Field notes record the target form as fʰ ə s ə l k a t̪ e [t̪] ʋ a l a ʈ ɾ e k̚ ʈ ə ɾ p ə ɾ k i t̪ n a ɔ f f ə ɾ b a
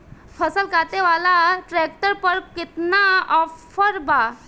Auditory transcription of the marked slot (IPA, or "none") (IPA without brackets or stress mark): none